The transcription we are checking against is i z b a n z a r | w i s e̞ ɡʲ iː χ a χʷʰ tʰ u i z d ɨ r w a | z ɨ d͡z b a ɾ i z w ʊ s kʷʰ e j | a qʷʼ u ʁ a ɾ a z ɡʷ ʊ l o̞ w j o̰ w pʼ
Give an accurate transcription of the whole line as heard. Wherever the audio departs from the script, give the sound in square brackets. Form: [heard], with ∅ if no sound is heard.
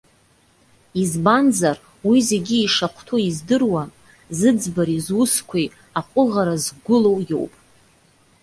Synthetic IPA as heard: i z b a n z a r | w i [z] e̞ ɡʲ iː [ʂ] a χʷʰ tʰ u i z d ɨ r w a | z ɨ d͡z b a ɾ i z w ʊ s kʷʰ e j | a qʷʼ [ʊ] ʁ a ɾ a z ɡʷ ʊ l o̞ w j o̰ w pʼ

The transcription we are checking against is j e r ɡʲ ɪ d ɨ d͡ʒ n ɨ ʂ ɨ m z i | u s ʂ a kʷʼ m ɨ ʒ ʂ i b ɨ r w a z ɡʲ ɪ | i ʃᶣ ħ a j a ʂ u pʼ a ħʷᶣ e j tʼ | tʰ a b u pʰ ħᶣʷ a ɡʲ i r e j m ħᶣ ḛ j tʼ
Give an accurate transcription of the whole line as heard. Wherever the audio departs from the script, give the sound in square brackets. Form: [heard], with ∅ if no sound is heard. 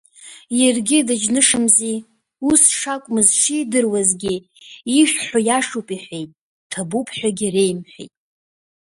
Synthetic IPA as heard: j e r ɡʲ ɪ d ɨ d͡ʒ n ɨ ʂ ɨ m z i | u s ʂ a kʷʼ m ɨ [z] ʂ i [d] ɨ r w a z ɡʲ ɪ | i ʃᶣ ħ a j a ʂ u pʼ [i] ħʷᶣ e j tʼ | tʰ a b u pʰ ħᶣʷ a ɡʲ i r e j m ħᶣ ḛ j tʼ

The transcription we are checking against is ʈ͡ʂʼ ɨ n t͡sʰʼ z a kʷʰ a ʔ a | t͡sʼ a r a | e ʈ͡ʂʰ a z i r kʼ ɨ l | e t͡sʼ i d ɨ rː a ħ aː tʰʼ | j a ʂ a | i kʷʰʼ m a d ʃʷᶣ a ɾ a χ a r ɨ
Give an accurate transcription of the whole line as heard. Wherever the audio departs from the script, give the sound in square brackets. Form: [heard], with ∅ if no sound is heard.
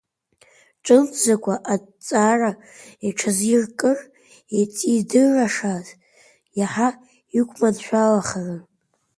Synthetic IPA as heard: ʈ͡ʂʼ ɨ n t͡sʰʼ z a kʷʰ a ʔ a | t͡sʼ a r a | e ʈ͡ʂʰ a z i r kʼ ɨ [r] | e t͡sʼ i d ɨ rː a [ʂ] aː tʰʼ | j a [ħ] a | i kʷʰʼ m a d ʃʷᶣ a [l] a χ a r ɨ

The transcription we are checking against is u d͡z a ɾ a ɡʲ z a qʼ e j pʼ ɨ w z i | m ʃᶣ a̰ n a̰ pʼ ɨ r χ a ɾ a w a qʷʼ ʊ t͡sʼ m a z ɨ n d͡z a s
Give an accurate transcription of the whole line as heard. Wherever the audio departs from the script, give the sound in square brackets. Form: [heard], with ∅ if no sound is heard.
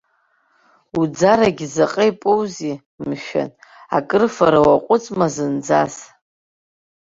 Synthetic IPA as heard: u d͡z a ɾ a ɡʲ z a qʼ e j pʼ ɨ w z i | m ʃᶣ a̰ n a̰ [kʼ] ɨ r [f] a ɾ a w a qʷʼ ʊ t͡sʼ m a z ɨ n d͡z a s

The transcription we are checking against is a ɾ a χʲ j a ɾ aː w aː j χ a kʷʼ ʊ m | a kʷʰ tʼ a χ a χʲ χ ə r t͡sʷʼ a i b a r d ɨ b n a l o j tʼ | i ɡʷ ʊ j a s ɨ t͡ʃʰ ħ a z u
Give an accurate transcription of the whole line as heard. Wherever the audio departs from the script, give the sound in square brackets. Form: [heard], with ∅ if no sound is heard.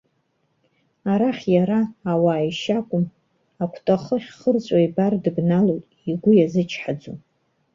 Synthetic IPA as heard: a ɾ a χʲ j a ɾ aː w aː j [ʃ] a kʷʼ ʊ m | a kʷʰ tʼ a χ [ə] χʲ χ ə r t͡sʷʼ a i b a r d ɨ b n a l o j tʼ | i ɡʷ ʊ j a [z] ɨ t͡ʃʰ ħ a [d͡z] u

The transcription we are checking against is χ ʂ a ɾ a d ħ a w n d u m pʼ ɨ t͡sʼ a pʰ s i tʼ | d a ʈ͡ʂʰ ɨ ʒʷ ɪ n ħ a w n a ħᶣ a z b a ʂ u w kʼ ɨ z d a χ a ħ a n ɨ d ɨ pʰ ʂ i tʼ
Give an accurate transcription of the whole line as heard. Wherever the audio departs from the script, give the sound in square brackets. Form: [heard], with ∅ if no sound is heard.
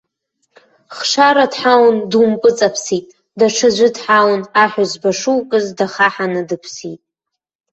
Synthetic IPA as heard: χ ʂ a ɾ a d ħ a w n d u m pʼ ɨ t͡sʼ a pʰ s i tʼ | d a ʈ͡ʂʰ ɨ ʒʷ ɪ [d] ħ a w n a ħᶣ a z b a ʂ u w kʼ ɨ z d a χ a ħ a n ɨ d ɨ pʰ [s] i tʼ

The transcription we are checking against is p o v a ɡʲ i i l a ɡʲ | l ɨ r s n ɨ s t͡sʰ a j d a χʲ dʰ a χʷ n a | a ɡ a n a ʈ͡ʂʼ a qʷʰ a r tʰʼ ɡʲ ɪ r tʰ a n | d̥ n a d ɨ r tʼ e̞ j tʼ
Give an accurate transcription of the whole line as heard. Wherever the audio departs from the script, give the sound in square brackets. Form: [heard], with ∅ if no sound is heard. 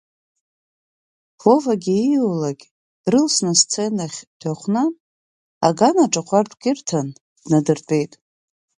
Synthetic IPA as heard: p o v a ɡʲ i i l a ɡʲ | [r] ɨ [l] s n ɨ s t͡sʰ [e] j [n] a χʲ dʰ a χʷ n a | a ɡ a n a ʈ͡ʂʼ a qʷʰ a r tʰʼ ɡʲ ɪ r tʰ a n | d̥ n a d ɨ r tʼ e̞ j tʼ

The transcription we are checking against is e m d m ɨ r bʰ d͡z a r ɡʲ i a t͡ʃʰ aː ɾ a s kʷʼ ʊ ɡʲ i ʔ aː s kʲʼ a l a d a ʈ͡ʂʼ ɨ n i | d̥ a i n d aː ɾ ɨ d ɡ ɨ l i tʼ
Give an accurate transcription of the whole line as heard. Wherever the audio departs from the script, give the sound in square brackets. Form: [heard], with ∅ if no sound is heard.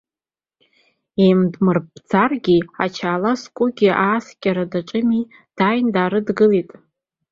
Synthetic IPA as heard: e m d m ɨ r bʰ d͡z a r ɡʲ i a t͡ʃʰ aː [l] a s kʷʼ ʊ ɡʲ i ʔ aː s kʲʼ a [ɾ] a d a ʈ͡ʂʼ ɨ [m] i | d̥ a [j] n d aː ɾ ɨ d ɡ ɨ l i tʼ

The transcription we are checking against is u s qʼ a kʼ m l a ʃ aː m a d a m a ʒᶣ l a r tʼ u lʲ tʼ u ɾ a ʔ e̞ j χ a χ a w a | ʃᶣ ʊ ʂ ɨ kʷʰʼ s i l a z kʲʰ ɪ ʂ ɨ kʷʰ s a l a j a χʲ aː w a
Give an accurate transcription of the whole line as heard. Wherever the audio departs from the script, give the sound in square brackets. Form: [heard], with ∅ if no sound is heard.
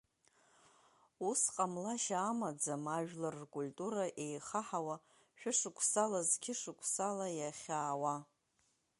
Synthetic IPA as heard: u s qʼ a [∅] m l a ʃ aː m a [d͡z] a m a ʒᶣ l a r [kʼ] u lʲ tʼ u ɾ a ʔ e̞ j χ a [ħ] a w a | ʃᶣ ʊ ʂ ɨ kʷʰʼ s [a] l a z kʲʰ ɪ ʂ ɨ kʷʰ s a l a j a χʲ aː w a

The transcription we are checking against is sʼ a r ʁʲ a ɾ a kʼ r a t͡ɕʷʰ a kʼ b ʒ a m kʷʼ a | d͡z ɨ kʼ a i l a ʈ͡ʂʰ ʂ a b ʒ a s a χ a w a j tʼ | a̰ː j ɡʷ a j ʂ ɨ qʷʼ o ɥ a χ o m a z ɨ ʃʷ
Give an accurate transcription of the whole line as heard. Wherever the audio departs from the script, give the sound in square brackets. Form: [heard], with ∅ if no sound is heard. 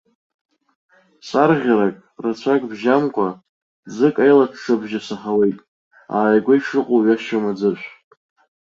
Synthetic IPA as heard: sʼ a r ʁʲ a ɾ a kʼ r a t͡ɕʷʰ a kʼ b ʒ a m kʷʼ a | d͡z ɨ kʼ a [j] l a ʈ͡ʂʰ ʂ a b ʒ a s a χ a w [e] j tʼ | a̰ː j ɡʷ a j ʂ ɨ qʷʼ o ɥ a [ʃ] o m a [d͡z] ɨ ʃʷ

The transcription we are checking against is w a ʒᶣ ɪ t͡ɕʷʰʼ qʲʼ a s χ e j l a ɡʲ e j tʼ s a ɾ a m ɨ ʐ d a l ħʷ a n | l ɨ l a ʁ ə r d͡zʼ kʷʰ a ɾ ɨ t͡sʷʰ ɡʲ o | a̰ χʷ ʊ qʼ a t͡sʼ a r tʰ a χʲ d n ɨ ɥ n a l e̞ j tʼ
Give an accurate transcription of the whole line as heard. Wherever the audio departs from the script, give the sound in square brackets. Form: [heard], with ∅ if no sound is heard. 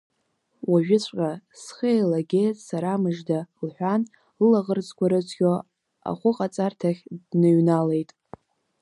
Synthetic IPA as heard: w a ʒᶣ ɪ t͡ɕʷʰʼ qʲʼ a s χ e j l a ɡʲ e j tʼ s a ɾ a m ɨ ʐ d a l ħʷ a n | l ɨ l a ʁ ə r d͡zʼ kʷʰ a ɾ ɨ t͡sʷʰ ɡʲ o | a̰ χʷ ʊ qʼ a t͡sʼ a r tʰ a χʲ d n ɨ ɥ n a l e̞ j tʼ

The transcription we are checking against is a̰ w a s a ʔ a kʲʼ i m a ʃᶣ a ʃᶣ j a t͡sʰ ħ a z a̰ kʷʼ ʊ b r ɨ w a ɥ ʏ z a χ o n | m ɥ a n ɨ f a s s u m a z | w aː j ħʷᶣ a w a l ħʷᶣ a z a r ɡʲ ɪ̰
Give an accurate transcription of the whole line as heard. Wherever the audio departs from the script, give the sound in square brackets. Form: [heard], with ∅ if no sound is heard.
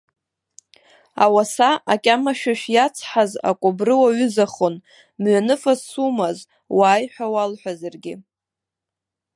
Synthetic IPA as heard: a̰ w a s a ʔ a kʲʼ [a] m a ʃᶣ a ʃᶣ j a t͡sʰ ħ a z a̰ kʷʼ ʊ b r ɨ w a ɥ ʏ z a χ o n | m ɥ a n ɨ f a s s u m a z | w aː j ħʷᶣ a w a l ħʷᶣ a z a r ɡʲ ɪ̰

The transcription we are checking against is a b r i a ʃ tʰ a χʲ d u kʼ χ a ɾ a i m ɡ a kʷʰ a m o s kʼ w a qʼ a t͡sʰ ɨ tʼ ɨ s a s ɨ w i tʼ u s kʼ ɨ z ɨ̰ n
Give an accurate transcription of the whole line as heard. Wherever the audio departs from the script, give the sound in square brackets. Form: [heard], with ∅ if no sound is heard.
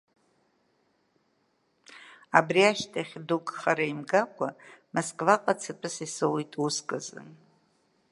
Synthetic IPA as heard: a b r i a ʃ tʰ a χʲ d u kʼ χ a ɾ a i m ɡ a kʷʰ a m o s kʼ [v] a qʼ a t͡sʰ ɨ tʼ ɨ s [i] s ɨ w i tʼ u s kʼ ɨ z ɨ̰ n

